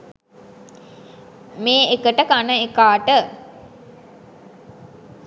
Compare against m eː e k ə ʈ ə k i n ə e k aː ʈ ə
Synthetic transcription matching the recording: m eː e k ə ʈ ə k a n ə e k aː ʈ ə